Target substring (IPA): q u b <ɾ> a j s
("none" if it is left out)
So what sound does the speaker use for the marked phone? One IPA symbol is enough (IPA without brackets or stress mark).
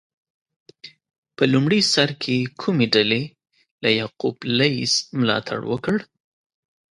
l